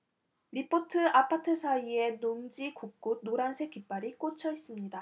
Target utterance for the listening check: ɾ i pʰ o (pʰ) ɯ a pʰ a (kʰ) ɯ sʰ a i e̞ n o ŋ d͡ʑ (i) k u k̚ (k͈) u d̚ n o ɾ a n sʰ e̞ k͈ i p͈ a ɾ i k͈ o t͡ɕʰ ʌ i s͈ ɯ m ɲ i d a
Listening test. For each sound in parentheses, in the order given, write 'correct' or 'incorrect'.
incorrect, incorrect, correct, correct

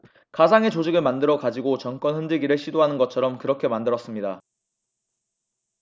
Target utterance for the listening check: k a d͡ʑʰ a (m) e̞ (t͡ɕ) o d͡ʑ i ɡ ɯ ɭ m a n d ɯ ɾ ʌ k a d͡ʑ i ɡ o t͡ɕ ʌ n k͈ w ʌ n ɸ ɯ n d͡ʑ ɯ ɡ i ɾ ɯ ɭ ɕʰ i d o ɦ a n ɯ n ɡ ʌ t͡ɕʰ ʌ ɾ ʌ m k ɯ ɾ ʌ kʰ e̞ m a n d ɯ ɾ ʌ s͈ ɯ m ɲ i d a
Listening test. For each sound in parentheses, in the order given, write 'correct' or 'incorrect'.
incorrect, correct

